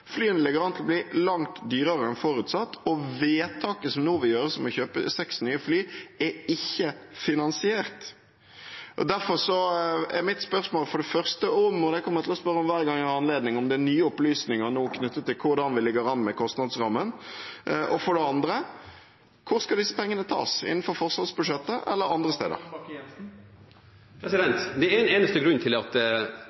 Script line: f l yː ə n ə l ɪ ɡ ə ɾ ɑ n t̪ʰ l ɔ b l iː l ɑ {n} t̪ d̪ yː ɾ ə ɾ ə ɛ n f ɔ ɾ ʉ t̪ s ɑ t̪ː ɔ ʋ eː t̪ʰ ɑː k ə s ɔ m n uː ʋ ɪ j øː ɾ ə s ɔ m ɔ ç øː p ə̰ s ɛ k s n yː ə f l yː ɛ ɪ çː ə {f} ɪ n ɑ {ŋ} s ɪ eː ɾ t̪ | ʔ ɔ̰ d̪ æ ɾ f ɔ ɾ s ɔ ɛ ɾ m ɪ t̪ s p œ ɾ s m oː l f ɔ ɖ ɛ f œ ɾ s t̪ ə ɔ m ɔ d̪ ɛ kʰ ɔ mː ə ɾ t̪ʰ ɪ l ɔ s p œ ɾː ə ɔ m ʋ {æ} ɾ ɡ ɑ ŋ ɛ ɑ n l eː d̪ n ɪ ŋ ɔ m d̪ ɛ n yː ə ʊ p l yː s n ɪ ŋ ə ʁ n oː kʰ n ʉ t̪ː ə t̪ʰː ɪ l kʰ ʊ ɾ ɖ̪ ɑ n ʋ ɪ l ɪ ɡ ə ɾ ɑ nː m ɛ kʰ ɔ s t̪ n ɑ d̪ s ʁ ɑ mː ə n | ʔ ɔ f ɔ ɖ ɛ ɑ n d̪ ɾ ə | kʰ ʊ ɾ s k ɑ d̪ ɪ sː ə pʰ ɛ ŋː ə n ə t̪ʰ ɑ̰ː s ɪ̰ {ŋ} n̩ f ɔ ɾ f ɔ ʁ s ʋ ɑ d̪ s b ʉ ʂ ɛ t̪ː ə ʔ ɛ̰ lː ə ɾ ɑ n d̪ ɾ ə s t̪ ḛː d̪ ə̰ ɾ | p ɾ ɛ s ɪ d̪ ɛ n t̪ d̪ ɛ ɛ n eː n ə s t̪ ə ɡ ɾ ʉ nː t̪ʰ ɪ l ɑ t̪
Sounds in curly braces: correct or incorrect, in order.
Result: incorrect, correct, incorrect, incorrect, incorrect

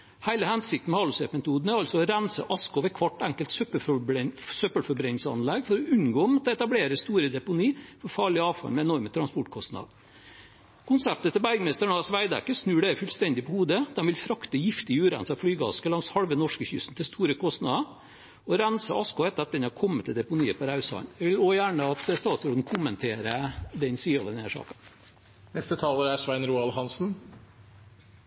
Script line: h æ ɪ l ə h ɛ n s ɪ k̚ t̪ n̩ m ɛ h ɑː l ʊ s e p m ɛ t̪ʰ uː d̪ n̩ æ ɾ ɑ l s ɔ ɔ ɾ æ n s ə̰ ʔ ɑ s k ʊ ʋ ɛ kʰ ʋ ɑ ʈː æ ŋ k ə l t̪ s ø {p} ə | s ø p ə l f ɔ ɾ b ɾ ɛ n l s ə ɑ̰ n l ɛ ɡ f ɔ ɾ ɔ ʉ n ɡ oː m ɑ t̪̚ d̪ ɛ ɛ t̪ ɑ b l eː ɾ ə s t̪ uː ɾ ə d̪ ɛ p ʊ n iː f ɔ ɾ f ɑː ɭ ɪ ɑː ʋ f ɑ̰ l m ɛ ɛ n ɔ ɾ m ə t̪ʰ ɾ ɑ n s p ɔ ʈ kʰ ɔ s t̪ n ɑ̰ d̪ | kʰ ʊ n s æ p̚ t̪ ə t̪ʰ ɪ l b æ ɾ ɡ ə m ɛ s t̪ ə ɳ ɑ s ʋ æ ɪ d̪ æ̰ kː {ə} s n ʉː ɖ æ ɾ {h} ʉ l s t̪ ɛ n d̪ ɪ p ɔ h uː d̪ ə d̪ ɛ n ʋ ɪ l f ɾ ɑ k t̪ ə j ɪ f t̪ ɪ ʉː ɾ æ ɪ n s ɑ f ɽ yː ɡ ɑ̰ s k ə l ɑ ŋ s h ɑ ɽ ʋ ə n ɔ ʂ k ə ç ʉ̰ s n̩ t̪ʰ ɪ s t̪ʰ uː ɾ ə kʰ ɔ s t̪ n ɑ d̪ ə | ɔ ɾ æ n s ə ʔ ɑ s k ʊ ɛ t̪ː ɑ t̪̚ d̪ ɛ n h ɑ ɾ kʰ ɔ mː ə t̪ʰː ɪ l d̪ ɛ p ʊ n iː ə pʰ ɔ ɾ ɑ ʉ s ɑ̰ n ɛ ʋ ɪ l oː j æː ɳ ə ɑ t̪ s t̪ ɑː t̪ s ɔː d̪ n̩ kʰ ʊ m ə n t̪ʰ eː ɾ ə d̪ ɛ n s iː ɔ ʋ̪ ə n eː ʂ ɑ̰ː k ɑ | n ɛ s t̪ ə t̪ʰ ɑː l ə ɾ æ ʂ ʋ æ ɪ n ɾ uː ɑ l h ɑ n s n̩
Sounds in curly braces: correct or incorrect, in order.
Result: correct, correct, incorrect

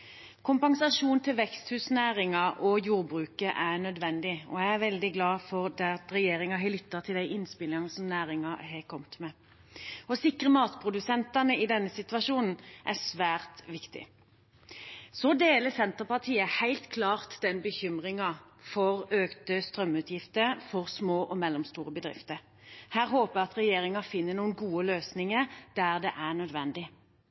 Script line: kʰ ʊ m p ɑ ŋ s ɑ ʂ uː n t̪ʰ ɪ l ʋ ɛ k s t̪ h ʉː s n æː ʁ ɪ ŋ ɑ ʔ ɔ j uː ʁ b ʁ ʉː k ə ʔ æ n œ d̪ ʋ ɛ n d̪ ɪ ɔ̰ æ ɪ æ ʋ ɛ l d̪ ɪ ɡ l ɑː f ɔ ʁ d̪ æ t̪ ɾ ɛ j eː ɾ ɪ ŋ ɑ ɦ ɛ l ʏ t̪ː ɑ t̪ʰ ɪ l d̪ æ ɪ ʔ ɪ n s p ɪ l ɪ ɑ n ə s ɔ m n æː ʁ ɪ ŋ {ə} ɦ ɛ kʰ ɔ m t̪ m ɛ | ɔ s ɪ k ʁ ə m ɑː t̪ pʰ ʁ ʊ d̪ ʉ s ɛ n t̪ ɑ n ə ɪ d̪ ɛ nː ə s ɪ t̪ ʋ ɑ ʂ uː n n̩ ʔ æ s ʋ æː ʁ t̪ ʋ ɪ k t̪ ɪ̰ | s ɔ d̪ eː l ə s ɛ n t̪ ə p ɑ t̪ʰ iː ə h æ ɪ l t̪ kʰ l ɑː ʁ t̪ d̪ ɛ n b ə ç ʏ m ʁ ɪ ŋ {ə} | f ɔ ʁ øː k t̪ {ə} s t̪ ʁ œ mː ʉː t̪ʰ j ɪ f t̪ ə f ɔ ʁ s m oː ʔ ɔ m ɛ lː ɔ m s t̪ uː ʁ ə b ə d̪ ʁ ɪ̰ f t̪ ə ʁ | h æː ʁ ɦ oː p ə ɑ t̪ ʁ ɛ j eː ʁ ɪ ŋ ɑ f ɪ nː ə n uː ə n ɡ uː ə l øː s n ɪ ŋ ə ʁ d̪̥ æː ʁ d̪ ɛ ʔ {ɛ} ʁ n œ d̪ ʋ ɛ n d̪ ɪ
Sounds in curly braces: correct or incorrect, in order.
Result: incorrect, incorrect, correct, incorrect

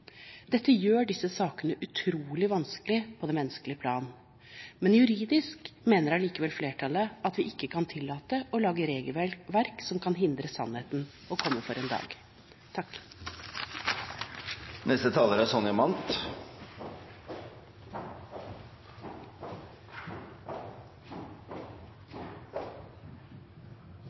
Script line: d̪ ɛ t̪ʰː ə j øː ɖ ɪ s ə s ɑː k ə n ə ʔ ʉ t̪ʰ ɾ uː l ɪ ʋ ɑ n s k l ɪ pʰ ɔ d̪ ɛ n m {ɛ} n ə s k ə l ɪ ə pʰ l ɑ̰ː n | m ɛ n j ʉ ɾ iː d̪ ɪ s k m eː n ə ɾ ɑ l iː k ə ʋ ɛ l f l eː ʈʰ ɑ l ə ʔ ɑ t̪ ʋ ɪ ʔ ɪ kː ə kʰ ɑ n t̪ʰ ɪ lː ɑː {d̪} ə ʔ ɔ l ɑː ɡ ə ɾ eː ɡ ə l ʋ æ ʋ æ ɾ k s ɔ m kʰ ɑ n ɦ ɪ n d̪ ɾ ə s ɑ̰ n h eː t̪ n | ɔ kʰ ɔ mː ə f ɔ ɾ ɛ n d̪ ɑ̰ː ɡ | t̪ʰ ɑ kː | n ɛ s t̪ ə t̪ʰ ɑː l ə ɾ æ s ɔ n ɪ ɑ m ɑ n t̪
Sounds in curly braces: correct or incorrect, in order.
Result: correct, incorrect

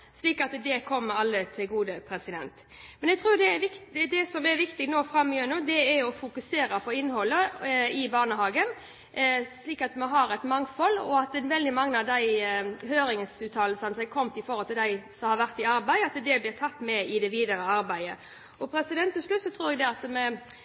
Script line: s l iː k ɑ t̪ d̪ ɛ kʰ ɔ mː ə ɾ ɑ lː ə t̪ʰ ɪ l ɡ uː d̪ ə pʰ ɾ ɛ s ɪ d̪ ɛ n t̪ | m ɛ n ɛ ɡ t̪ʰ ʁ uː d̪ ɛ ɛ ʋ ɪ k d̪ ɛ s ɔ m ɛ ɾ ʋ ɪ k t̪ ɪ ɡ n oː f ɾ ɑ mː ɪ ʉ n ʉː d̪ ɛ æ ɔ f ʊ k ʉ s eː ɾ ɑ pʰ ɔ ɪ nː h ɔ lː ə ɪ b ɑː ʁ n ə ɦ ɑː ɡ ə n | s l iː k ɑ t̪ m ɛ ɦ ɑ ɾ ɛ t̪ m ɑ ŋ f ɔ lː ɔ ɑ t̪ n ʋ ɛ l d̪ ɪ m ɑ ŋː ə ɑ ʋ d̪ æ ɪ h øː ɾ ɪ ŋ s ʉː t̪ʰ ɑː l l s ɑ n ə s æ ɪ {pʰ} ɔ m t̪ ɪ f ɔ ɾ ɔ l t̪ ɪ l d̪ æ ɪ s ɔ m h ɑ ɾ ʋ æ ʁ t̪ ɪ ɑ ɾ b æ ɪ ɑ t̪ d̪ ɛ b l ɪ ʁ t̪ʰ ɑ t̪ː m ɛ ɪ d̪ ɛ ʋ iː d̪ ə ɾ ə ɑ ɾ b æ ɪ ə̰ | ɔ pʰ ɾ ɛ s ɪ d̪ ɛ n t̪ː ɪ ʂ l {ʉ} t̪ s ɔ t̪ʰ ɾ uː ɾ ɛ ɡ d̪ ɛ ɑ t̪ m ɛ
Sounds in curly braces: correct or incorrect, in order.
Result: incorrect, correct

